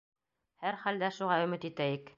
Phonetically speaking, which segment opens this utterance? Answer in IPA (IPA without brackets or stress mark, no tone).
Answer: h